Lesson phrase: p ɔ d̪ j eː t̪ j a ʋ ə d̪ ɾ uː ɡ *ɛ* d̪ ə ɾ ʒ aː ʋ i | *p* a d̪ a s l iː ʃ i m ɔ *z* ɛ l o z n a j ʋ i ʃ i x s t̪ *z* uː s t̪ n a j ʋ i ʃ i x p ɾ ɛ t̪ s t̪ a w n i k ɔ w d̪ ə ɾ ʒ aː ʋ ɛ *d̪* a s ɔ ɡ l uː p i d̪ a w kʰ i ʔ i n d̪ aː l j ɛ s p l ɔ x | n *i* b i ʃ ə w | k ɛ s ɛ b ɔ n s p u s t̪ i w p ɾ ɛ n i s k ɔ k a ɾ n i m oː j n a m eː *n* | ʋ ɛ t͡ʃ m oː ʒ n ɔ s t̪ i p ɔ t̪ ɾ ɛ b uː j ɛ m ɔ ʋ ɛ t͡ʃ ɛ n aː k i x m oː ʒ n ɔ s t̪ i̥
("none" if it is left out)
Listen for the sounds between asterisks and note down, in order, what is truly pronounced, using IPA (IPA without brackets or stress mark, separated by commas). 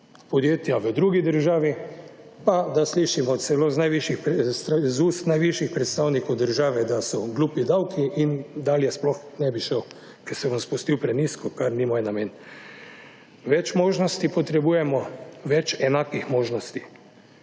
i, p, s, z, d̪, ɛ, n